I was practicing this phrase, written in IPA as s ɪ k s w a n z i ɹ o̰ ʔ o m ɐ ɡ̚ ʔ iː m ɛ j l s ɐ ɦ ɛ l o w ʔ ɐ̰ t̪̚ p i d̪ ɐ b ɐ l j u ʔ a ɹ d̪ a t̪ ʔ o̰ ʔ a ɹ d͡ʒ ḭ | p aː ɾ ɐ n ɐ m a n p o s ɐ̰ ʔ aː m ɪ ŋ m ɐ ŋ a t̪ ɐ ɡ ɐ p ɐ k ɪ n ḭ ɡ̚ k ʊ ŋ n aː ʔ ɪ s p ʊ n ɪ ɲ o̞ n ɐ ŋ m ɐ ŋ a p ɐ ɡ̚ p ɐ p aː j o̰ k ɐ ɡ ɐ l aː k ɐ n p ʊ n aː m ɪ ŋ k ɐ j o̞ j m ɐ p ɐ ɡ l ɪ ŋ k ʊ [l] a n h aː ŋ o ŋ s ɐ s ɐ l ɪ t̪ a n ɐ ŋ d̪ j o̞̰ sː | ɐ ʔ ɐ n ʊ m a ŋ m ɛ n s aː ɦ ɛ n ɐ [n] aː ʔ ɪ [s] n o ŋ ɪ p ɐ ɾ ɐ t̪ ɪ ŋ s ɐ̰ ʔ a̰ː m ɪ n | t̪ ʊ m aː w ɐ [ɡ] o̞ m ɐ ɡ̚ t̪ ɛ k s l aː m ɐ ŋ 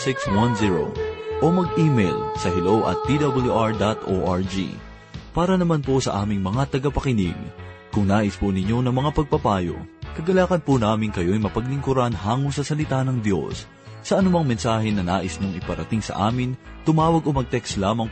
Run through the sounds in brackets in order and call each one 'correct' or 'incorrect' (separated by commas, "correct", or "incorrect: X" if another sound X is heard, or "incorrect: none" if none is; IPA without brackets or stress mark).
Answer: incorrect: ɾ, correct, correct, correct